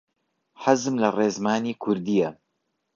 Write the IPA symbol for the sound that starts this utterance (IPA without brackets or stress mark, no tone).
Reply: ħ